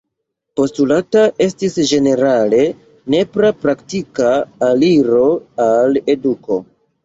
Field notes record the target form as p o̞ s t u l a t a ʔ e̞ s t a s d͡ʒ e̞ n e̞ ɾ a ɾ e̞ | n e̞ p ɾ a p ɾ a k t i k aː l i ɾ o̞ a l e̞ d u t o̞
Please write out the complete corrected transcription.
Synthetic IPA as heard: p o̞ s t u l a t a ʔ e̞ s t i s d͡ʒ e̞ n e̞ ɾ a l e̞ | n e̞ p ɾ a p ɾ a k t i k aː l i ɾ o̞ a l e̞ d u k o̞

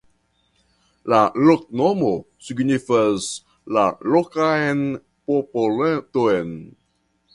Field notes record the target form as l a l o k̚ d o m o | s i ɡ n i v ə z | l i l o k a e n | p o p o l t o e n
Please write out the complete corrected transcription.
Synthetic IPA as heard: l a l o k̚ n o m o | s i ɡ n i f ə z | l a l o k a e n | p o p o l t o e n

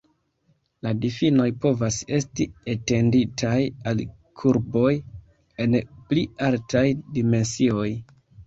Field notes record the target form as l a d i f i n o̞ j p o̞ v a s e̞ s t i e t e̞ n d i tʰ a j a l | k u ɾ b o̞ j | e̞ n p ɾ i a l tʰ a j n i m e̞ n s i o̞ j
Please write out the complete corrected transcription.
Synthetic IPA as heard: l a d i f i n o̞ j p o̞ v a s e̞ s t i e t e̞ n d i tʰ a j a l | kʰ u ɾ b o̞ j | e̞ n p l i a l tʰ a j d i m e̞ n s i o̞ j

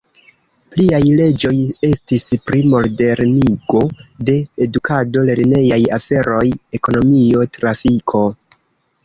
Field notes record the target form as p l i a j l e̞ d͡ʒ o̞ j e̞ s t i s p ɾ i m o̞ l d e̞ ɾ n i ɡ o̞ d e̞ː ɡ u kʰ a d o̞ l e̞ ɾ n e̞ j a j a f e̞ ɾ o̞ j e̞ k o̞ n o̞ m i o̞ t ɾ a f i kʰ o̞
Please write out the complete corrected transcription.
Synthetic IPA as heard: p l i a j l e̞ d͡ʒ o̞ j e̞ s t i s p ɾ i m o̞ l d e̞ ɾ n i ɡ o̞ d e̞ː d u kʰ a d o̞ l e̞ ɾ n e̞ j a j a f e̞ ɾ o̞ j e̞ k o̞ n o̞ m i o̞ t ɾ a f i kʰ o̞

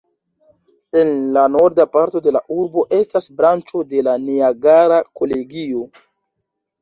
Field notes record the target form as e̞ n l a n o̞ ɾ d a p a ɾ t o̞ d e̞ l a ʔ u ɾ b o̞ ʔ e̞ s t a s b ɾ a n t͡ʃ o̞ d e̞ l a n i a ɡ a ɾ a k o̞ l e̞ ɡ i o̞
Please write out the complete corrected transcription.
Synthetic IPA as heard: e̞ n l a n o̞ ɾ d a p a ɾ t o̞ d e̞ l a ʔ u ɾ b o̞ ʔ e̞ s t a s b ɾ a n t͡ʃ o̞ d e̞ l a n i a ɡ a ɾ a k o̞ l e̞ ɡ i o̞

